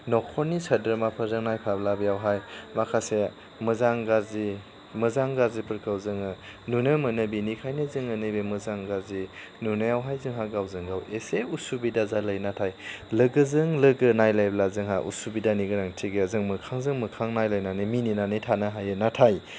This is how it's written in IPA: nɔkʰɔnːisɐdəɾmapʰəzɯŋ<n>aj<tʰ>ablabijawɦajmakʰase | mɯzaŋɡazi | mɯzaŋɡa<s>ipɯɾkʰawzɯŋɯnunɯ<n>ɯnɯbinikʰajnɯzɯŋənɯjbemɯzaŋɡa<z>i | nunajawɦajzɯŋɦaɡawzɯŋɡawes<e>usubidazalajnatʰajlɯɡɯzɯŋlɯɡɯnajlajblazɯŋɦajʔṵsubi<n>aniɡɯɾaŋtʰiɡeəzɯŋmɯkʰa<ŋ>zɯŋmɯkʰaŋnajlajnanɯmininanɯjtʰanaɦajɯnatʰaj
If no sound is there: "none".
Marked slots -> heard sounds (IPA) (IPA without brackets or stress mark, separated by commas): n, pʰ, z, m, z, e, d, ŋ